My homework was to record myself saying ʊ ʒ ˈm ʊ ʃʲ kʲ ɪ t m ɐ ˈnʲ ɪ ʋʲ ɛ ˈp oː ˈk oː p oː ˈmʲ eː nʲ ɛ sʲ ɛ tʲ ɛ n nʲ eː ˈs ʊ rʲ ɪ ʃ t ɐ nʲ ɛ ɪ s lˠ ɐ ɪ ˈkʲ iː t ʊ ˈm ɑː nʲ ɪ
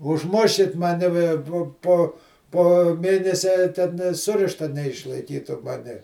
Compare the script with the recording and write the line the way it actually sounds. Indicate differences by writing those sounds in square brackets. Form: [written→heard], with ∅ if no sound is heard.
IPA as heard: ʊ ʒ ˈm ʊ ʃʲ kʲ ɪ t m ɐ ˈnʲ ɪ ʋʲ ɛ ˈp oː [ˈk→ˈp] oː p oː ˈmʲ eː nʲ ɛ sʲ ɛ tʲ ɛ n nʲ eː ˈs ʊ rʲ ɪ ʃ t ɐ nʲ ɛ ɪ [s→ʃ] lˠ ɐ ɪ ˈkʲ iː t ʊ ˈm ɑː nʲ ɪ